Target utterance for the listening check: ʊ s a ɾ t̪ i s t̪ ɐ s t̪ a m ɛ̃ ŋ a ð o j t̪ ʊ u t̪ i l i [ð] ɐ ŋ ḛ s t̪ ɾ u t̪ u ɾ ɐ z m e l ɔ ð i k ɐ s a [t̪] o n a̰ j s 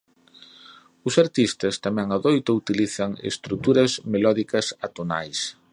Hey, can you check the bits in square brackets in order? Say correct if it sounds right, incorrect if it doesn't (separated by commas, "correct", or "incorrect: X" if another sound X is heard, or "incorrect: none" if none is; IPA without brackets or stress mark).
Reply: incorrect: θ, correct